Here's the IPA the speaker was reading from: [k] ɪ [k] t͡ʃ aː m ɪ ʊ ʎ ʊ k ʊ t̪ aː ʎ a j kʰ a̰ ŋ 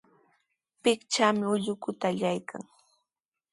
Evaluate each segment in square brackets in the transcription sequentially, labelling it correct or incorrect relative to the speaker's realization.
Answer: incorrect: p, correct

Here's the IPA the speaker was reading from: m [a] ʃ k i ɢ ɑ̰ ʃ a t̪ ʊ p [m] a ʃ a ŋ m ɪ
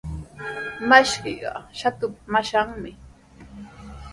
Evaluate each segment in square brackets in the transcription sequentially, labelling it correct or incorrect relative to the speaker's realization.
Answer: correct, correct

